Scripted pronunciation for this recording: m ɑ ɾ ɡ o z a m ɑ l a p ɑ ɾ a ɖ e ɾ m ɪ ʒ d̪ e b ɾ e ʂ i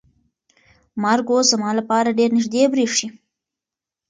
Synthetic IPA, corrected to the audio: m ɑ ɾ ɡ o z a m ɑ l a p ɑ ɾ a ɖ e ɾ n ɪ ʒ d̪ e b ɾ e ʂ i